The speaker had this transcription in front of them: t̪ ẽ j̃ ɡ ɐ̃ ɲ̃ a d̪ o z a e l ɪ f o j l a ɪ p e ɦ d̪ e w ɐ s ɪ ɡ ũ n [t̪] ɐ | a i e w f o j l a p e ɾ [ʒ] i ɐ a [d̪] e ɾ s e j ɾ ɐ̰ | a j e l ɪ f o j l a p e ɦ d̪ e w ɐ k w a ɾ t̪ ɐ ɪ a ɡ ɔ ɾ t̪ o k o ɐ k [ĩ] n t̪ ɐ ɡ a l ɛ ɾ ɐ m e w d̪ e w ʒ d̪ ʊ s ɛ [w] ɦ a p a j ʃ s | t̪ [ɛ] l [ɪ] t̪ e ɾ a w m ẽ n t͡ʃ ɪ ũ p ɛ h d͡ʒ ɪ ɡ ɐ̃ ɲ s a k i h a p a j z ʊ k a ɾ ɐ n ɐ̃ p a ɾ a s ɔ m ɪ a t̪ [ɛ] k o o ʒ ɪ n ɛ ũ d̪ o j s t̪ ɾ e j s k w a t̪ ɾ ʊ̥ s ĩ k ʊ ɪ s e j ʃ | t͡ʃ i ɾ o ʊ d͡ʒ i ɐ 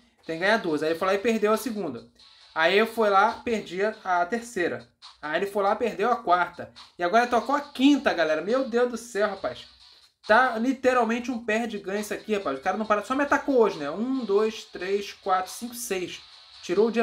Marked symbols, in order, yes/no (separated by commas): no, no, no, yes, yes, no, no, no